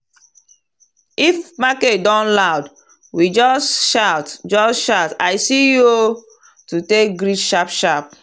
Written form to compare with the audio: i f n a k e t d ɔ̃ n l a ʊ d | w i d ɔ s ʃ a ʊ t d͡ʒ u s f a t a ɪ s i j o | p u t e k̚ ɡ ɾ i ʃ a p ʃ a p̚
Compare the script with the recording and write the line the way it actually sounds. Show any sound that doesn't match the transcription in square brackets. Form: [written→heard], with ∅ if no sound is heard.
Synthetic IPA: i f [n→m] a k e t d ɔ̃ n l a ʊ d | w i [d→d͡ʒ] ɔ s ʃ a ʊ t d͡ʒ [u→ɔ] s [f→ʃ] a t a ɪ s i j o | [p→t] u t e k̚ ɡ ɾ i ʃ a p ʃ a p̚